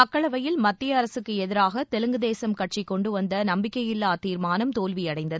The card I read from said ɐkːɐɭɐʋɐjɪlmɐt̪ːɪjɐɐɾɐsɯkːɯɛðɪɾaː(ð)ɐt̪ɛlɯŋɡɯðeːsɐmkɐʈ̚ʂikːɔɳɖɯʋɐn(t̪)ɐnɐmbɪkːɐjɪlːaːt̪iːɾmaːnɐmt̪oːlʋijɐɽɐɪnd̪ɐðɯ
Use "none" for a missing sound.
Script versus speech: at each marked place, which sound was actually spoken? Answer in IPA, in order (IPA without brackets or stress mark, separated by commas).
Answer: ɣ, d̪